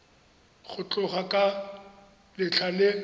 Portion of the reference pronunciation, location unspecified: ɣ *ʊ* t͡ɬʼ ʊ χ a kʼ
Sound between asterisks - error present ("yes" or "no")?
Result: no